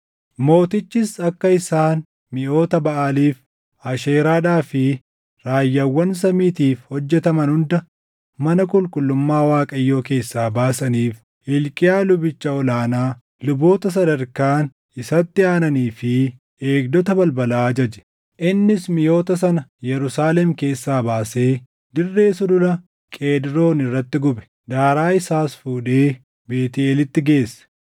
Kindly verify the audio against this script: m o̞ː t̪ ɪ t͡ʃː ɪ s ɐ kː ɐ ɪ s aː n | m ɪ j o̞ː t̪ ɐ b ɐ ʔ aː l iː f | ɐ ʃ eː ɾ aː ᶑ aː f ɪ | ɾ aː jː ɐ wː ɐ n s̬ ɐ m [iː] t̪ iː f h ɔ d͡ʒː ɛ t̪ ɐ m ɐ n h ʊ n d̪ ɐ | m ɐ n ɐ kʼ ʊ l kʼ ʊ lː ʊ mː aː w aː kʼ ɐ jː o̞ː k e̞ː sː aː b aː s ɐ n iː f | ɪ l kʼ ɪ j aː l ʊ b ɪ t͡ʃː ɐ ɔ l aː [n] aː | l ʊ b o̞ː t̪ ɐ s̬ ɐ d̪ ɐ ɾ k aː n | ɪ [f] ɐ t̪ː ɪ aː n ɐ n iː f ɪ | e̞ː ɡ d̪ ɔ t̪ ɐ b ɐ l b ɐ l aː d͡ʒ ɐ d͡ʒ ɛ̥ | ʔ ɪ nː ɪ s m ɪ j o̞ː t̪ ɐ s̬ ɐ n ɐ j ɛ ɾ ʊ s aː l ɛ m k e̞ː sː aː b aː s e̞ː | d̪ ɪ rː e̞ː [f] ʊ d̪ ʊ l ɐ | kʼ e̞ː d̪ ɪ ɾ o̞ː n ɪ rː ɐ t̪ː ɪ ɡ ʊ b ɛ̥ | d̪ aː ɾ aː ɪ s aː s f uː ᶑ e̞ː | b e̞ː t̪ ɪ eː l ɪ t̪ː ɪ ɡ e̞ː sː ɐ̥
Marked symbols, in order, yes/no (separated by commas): yes, yes, no, no